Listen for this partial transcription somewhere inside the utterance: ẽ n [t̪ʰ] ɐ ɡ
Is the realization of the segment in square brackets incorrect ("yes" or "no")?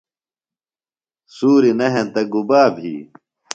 yes